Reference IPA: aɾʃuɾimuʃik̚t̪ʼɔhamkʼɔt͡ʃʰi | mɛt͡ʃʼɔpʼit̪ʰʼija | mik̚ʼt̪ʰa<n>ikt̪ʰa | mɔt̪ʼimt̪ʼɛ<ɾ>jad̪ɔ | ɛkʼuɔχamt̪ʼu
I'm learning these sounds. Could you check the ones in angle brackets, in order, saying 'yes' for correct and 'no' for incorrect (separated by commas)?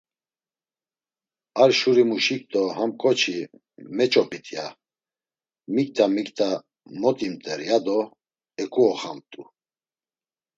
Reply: no, yes